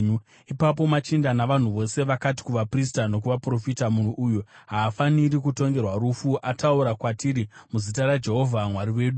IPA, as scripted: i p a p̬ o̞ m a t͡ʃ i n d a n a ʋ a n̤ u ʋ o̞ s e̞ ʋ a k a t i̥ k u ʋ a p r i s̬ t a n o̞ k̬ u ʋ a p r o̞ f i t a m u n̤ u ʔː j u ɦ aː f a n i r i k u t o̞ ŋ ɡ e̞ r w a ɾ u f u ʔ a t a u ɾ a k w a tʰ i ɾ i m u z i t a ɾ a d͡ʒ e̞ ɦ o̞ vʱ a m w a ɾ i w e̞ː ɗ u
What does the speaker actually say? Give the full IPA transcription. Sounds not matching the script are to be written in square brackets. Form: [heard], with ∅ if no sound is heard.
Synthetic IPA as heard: i p a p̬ o̞ m a t͡ʃ i n d a n a ʋ a n̤ u ʋ o̞ s e̞ ʋ a k a t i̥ k u ʋ a p r i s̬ t a n o̞ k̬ u ʋ a p r o̞ f i t a m u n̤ u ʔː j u ɦ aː f a n i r i k u t o̞ ŋ ɡ e̞ r w a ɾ u f u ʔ a t a u ɾ a k w a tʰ i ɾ i m u z i t a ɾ a d͡ʒ e̞ ɦ o̞ vʱ a m w a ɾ i w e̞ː ɗ u